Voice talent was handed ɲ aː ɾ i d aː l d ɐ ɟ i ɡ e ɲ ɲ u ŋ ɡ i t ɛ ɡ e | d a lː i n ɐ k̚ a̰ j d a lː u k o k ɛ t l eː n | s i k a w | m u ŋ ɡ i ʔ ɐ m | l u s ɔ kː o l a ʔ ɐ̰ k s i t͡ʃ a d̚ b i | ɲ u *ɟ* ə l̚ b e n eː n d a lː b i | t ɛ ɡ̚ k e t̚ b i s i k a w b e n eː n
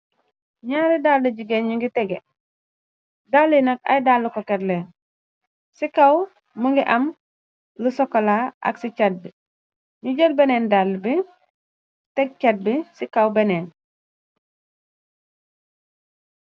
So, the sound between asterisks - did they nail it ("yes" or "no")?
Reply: yes